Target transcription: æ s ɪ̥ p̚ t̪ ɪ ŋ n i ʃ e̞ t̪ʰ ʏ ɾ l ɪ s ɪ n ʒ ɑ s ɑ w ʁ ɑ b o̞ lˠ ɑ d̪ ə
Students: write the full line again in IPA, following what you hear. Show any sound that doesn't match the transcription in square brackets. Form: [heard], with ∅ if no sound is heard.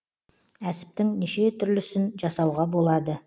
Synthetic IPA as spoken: æ s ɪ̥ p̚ t̪ ɪ ŋ n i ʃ e̞ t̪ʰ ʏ ɾ l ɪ s ɪ n ʒ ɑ s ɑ w ʁ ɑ b o̞ lˠ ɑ d̪ ə